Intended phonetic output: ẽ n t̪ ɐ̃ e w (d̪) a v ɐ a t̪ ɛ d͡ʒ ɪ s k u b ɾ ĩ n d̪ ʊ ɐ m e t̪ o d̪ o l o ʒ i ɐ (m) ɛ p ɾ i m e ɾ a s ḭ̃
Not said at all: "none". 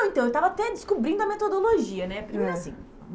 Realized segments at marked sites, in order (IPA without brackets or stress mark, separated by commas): t̪, n